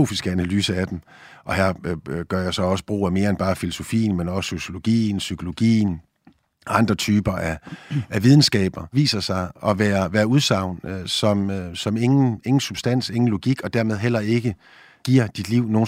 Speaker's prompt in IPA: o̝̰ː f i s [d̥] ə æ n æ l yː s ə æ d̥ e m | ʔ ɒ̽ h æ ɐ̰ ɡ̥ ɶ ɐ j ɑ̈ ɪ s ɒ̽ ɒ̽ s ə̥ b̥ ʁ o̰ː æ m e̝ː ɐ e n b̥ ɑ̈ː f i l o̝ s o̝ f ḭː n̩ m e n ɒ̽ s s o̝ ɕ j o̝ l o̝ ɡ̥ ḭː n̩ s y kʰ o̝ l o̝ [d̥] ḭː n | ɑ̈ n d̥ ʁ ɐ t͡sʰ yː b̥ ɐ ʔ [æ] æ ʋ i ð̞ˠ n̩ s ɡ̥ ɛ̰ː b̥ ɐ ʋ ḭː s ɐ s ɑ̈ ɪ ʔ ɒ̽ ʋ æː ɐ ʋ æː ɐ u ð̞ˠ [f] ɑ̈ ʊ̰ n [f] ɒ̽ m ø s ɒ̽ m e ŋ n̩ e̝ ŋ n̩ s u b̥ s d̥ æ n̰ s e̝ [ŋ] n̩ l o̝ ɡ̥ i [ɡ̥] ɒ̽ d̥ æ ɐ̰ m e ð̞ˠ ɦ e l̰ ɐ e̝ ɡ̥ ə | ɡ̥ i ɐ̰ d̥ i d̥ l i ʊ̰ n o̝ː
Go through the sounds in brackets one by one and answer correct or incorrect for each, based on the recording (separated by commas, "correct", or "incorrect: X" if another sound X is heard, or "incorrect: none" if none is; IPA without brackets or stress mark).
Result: incorrect: ɡ̥, incorrect: ɡ̥, correct, incorrect: s, incorrect: s, correct, correct